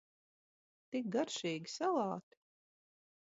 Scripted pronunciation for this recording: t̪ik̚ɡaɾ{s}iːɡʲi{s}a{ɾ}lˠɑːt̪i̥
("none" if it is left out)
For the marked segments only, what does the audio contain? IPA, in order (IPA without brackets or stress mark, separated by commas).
ʃ, s, none